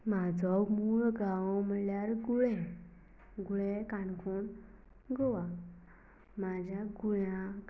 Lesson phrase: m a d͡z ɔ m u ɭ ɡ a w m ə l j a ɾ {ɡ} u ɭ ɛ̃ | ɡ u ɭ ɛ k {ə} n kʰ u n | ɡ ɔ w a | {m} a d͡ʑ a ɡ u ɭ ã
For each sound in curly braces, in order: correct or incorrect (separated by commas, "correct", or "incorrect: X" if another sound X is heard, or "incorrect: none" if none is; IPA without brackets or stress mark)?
correct, incorrect: a, correct